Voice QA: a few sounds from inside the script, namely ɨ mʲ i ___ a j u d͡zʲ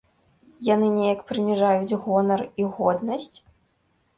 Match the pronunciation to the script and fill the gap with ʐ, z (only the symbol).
ʐ